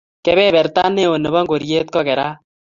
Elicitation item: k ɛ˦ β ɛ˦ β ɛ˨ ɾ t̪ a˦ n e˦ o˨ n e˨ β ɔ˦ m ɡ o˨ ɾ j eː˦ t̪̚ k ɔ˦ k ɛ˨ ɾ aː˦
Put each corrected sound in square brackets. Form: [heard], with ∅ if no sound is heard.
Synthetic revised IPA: k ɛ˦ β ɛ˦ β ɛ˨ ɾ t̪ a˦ n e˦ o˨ n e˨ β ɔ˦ [ŋ] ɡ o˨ ɾ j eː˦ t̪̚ k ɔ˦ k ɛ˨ ɾ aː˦